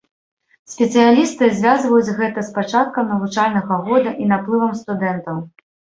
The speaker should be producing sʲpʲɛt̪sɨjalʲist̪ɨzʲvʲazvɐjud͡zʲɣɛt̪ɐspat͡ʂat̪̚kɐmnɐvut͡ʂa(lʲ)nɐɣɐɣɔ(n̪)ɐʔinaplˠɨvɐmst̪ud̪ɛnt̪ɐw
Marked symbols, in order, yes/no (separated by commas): yes, no